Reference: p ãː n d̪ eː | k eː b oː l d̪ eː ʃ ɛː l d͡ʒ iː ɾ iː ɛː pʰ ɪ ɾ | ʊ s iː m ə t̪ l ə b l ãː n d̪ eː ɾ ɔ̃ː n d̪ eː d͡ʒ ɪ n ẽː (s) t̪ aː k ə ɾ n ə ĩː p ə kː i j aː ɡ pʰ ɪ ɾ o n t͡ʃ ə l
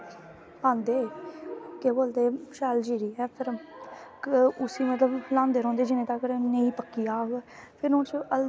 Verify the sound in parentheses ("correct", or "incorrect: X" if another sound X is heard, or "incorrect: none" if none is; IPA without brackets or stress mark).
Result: incorrect: none